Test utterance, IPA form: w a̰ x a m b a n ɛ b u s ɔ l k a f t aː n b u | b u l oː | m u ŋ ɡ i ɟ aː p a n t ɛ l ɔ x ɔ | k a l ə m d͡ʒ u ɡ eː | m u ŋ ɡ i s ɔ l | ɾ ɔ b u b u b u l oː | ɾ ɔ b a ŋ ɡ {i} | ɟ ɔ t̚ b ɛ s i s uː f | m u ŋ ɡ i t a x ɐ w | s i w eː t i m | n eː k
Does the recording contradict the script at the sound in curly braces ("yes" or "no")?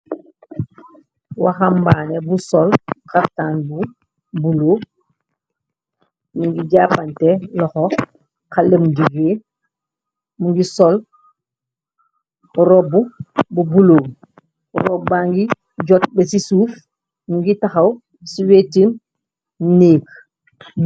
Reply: no